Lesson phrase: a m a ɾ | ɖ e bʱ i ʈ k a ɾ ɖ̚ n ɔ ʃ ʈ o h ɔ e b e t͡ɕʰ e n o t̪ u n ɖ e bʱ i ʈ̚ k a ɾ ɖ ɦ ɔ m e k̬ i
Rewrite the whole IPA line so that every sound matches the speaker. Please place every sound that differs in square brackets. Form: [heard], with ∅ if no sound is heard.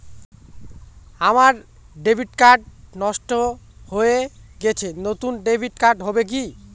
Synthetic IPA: a m a ɾ | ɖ e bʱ i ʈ k a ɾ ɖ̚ n ɔ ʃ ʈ o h [o] e [ɡ] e t͡ɕʰ e n o t̪ u n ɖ e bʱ i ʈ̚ k a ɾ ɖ ɦ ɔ [b] e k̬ i